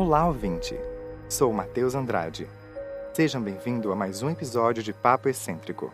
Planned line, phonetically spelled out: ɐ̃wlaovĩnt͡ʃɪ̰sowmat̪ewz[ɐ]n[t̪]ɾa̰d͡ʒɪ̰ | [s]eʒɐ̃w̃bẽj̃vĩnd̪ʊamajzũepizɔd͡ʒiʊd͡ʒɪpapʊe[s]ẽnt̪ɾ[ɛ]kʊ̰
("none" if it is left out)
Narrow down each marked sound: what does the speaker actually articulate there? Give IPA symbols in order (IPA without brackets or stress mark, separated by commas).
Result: ɐ̃, d̪, s, s, i